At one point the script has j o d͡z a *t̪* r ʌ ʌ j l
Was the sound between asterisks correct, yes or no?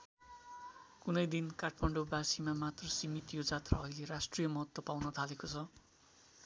yes